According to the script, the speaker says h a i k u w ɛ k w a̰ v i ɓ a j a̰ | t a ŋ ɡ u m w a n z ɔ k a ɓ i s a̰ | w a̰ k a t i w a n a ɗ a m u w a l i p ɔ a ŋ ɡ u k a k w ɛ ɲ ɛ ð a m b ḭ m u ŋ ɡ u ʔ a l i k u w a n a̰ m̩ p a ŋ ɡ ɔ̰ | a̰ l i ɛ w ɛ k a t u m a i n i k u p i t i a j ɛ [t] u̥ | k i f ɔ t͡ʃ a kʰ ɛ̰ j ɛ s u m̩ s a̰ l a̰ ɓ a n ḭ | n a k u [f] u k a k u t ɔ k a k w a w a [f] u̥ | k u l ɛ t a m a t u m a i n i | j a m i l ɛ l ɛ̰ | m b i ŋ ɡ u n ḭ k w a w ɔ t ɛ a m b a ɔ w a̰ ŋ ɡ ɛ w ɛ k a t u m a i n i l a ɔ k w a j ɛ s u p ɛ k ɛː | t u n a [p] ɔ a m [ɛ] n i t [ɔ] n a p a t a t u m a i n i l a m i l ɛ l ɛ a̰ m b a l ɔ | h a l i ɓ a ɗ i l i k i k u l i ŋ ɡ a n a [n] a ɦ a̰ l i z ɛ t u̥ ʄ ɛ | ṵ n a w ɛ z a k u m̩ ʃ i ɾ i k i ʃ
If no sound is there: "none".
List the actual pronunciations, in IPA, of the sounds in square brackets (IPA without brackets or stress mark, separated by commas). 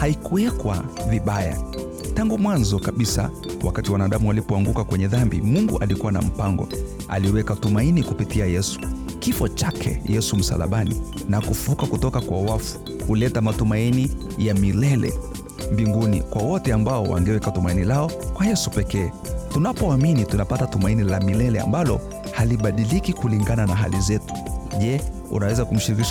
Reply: s, f, f, p, i, u, n